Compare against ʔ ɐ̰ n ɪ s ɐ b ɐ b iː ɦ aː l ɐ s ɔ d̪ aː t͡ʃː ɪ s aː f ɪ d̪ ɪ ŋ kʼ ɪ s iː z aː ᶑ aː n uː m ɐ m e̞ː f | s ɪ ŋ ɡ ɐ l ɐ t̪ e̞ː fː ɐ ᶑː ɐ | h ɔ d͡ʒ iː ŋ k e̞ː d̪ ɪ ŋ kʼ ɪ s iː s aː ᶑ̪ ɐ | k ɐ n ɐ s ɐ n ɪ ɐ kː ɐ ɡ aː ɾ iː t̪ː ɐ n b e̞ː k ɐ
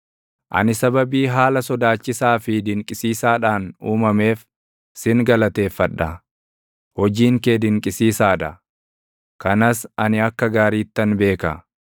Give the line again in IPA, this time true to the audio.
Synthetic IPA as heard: ʔ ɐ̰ n ɪ s ɐ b ɐ b iː ɦ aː l ɐ s ɔ d̪ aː t͡ʃː ɪ s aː f ɪ d̪ ɪ ŋ kʼ ɪ s iː s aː ᶑ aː n uː m ɐ m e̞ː f | s ɪ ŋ ɡ ɐ l ɐ t̪ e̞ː fː ɐ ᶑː ɐ | h ɔ d͡ʒ iː ŋ k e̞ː d̪ ɪ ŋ kʼ ɪ s iː s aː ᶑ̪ ɐ | k ɐ n ɐ s ɐ n ɪ ɐ kː ɐ ɡ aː ɾ iː t̪ː ɐ n b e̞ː k ɐ